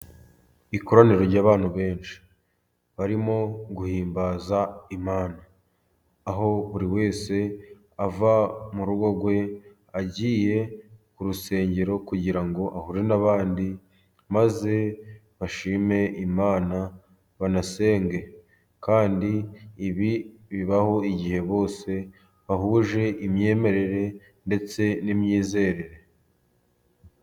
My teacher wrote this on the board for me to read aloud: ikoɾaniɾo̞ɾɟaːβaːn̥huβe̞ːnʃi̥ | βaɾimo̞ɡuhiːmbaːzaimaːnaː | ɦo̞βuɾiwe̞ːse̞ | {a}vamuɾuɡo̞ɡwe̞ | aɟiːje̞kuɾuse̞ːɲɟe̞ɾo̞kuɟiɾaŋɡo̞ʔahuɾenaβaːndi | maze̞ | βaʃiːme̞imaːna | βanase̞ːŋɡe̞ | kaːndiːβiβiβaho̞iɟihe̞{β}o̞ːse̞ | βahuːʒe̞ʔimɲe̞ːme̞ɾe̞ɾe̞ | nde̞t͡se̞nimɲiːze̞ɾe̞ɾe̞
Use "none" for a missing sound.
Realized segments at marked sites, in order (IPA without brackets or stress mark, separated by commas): a, β